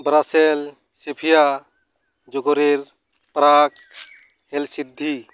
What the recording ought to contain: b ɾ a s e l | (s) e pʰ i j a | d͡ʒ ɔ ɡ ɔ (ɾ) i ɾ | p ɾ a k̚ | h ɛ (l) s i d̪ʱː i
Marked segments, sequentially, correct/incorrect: correct, correct, correct

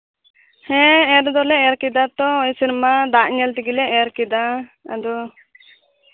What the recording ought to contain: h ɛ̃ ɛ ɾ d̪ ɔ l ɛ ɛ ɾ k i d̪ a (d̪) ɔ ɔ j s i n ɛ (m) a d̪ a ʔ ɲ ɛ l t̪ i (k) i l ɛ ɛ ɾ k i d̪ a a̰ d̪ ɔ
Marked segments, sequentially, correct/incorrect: incorrect: t̪, correct, incorrect: ɡ

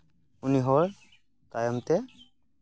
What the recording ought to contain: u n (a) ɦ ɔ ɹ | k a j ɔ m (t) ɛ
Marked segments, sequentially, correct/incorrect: incorrect: i, correct

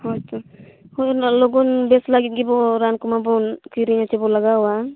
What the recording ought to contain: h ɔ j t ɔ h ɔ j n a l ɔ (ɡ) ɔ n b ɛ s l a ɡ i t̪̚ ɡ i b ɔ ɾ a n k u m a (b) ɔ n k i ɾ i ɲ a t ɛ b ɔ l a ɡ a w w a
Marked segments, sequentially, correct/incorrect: correct, correct

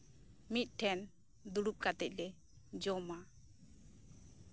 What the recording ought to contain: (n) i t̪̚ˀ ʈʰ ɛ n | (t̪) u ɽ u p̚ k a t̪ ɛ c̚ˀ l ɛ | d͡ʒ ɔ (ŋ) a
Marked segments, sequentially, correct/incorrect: incorrect: m, incorrect: d̪, incorrect: m

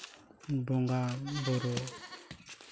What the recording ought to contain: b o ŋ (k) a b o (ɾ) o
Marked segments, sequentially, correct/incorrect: incorrect: ɡ, correct

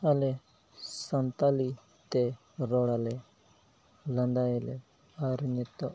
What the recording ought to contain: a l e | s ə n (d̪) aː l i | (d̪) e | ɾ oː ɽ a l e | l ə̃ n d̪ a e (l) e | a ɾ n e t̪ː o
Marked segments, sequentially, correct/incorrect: incorrect: t̪, incorrect: t̪, correct

